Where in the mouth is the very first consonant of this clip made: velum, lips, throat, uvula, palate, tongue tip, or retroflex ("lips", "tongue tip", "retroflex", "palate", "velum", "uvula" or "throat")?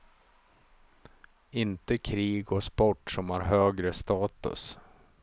tongue tip